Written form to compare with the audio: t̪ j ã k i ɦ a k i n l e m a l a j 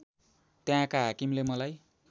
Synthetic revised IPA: t̪ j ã k a ɦ a k i m l e m ʌ l a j